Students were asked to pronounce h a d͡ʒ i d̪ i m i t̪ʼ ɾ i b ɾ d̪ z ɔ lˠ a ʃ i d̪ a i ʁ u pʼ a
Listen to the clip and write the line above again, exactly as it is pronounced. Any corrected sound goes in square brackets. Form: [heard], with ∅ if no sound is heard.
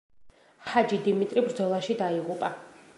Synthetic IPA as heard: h a d͡ʒ i d̪ i m i t̪ʼ ɾ i b ɾ d̪ z ɔ lˠ a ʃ i d̪ a i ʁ u pʼ a